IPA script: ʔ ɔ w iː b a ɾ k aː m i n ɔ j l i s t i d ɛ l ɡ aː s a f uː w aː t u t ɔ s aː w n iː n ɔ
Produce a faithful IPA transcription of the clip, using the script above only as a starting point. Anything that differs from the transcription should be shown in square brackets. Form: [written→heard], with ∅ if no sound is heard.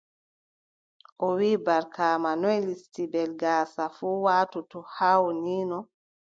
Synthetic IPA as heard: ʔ ɔ w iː b a ɾ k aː m [i→a] n ɔ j l i s t i [d→b] ɛ l ɡ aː s a f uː w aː t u t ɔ [s→h] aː w n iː n ɔ